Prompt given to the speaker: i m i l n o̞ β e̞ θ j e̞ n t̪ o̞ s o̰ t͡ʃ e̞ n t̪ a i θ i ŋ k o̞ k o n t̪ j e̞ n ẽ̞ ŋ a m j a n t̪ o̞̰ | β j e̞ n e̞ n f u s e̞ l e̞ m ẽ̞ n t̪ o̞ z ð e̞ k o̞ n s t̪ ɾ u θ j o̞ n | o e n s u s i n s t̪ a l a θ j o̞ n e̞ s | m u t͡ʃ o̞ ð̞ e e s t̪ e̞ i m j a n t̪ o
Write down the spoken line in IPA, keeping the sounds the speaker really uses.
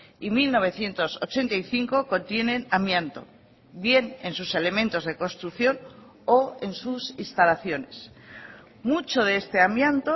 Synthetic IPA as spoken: i m i l n o̞ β e̞ θ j e̞ n t̪ o̞ s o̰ t͡ʃ e̞ n t̪ a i θ i ŋ k o̞ k o n t̪ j e̞ n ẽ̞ n a m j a n t̪ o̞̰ | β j e̞ n e̞ n s u s e̞ l e̞ m ẽ̞ n t̪ o̞ z ð e̞ k o̞ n s t̪ ɾ u θ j o̞ n | o e n s u s i n s t̪ a l a θ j o̞ n e̞ s | m u t͡ʃ o̞ ð̞ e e s t̪ e̞ a m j a n t̪ o